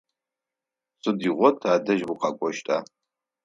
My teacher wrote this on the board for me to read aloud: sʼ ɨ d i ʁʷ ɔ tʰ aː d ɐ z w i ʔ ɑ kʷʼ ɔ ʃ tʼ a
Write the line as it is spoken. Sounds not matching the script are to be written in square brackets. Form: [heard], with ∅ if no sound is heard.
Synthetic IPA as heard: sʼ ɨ d i ʁʷ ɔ tʰ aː d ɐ [ʒ] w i [q] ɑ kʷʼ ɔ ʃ tʼ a